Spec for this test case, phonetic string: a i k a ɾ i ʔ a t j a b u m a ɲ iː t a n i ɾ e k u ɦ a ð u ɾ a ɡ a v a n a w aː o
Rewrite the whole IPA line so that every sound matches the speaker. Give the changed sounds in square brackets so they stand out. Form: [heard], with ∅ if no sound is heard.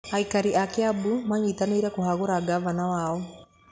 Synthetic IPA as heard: a i k a ɾ i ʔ a [k] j a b u m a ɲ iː t a n i ɾ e k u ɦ a [ɣ] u ɾ a ɡ a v a n a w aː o